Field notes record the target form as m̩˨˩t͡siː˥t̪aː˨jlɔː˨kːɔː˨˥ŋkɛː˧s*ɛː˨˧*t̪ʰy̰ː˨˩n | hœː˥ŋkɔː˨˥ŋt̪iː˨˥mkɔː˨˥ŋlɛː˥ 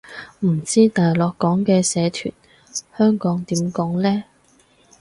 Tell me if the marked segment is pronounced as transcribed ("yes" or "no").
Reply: yes